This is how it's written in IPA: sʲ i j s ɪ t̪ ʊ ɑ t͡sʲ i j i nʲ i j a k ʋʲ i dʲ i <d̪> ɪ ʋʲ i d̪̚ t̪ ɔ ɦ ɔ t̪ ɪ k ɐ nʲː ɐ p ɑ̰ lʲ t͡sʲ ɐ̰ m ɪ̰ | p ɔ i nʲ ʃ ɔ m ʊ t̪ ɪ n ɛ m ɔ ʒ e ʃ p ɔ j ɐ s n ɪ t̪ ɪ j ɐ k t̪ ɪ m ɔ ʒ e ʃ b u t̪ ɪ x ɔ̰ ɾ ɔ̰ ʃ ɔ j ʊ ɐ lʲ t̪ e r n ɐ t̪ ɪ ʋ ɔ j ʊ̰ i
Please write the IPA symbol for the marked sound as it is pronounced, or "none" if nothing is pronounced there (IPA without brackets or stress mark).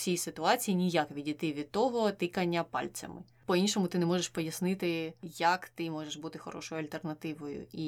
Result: t̪